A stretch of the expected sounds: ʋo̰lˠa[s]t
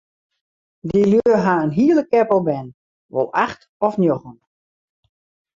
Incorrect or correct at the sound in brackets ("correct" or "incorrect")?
incorrect